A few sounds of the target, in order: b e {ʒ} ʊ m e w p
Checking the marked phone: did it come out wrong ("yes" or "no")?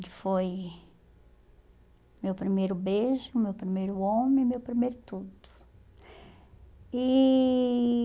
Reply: no